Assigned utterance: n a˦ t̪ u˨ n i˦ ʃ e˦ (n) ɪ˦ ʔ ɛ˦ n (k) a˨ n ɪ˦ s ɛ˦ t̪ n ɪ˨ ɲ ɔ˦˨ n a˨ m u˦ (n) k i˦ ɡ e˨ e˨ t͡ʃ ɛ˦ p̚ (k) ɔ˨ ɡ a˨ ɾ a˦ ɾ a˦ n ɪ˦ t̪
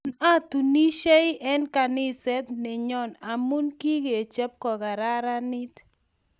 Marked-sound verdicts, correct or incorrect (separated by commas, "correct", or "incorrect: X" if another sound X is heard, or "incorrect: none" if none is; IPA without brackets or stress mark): incorrect: none, correct, correct, correct